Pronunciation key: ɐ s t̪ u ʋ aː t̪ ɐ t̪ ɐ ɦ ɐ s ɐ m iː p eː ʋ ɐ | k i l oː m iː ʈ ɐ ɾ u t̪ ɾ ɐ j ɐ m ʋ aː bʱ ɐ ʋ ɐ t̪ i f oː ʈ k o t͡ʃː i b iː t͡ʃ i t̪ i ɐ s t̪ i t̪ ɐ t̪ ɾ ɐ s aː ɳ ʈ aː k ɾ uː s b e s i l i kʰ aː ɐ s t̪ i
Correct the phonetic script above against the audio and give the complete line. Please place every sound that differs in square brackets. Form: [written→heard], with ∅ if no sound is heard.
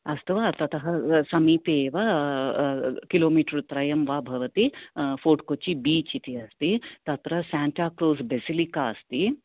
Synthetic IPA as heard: ɐ s t̪ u ʋ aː t̪ ɐ t̪ ɐ ɦ ɐ s ɐ m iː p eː ʋ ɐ | k i l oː m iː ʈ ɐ ɾ u t̪ ɾ ɐ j ɐ m ʋ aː bʱ ɐ ʋ ɐ t̪ i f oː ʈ k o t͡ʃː i b iː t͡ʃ i t̪ i ɐ s t̪ i t̪ ɐ t̪ ɾ ɐ s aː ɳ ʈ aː k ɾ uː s b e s i l i [kʰ→k] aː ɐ s t̪ i